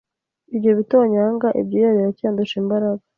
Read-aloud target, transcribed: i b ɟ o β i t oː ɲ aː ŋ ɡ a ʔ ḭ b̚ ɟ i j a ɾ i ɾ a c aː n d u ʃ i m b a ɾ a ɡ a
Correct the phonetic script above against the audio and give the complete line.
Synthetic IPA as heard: i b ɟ o β i t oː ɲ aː ŋ ɡ a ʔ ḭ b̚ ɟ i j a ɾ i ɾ a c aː n d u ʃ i m b a ɾ a ɡ a